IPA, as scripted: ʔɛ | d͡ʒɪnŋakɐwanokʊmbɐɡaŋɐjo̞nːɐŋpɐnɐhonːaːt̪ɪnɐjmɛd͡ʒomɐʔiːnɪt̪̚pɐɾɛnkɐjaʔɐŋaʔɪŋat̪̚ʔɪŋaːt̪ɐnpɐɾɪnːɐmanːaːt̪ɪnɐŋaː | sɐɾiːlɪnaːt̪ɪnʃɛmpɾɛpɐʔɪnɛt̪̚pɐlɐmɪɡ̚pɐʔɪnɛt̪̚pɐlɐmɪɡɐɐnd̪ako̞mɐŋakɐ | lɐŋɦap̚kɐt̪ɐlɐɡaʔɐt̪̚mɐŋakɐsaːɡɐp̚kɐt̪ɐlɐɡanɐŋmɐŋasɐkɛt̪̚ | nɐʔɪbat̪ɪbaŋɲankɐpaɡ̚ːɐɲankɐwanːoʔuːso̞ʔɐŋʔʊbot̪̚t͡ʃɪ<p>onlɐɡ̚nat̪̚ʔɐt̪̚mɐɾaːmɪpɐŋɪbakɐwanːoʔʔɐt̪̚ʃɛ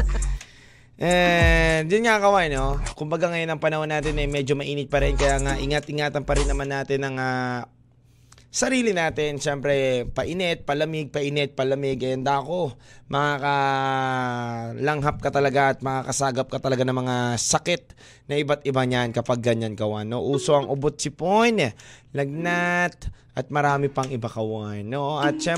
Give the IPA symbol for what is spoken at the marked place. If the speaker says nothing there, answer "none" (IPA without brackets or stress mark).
p